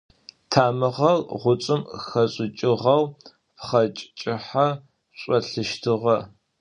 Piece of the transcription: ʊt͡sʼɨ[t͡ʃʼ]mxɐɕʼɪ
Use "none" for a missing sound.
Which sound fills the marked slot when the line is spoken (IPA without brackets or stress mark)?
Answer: none